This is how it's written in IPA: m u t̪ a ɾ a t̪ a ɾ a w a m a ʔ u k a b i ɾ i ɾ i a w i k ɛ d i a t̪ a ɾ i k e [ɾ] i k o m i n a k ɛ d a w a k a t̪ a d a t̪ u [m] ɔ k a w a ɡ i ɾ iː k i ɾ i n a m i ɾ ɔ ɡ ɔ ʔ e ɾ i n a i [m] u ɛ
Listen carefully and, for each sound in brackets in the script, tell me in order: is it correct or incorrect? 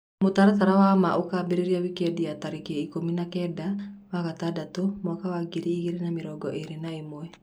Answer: incorrect, correct, correct

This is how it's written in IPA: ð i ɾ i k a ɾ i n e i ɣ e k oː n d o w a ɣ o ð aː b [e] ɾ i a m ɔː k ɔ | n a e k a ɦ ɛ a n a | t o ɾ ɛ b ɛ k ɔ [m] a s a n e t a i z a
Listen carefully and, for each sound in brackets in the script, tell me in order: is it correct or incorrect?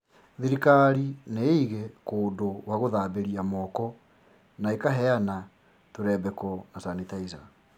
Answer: correct, incorrect

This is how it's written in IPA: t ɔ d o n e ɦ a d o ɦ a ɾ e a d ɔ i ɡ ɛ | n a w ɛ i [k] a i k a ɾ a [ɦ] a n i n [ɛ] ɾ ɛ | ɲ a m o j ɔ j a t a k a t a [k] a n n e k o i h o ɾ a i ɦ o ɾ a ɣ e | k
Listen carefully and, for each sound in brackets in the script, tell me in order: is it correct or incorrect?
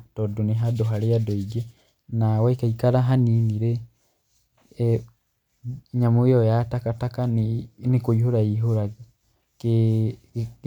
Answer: correct, correct, incorrect, correct

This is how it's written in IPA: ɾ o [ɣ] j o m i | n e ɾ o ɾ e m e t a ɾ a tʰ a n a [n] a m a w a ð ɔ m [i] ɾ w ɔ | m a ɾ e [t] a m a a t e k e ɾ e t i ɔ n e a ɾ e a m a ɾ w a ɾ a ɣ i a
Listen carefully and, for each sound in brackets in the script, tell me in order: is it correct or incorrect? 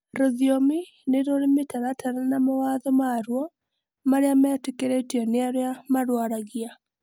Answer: incorrect, correct, incorrect, incorrect

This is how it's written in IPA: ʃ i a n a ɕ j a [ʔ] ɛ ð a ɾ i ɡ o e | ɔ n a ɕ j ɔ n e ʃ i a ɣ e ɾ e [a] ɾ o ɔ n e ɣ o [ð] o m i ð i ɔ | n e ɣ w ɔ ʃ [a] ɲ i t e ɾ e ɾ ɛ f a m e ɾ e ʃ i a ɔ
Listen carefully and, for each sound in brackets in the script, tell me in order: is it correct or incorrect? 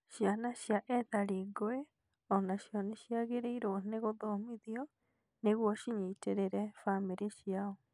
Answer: correct, incorrect, correct, incorrect

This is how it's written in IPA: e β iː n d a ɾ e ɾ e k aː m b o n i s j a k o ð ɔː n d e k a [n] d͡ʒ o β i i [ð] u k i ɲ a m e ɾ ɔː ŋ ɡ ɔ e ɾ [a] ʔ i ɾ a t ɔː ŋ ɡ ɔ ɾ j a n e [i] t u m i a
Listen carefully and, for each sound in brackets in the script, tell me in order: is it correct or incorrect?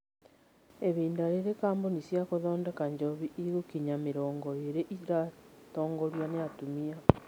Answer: incorrect, incorrect, incorrect, incorrect

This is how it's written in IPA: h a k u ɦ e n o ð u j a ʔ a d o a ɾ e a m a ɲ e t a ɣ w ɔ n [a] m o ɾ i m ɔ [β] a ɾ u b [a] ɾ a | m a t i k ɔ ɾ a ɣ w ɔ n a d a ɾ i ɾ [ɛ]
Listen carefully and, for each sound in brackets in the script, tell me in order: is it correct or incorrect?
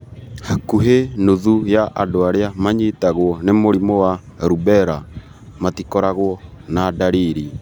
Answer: incorrect, incorrect, incorrect, incorrect

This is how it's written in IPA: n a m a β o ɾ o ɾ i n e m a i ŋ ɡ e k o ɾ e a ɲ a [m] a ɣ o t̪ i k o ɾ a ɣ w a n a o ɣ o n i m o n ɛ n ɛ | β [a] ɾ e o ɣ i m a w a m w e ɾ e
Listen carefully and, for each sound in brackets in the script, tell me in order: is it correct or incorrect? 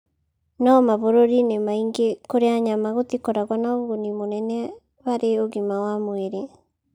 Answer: correct, correct

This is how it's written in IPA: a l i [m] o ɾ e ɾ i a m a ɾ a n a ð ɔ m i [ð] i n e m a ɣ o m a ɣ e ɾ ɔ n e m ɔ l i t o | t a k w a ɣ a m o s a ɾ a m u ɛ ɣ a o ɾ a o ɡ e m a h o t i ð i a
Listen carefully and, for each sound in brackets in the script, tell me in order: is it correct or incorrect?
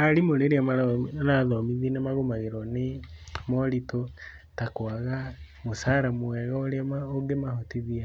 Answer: correct, correct

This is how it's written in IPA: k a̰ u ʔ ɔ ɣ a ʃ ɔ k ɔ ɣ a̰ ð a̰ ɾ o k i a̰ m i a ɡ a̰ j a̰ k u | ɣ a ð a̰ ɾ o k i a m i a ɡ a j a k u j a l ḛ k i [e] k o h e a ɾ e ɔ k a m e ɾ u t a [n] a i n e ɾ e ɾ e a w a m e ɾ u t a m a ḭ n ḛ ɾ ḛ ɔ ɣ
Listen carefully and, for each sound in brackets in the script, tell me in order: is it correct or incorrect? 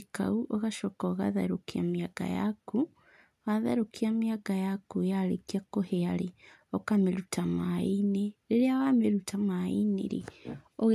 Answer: incorrect, incorrect

